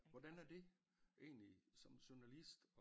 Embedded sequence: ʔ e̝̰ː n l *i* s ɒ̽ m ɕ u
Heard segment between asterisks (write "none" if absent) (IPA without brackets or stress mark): i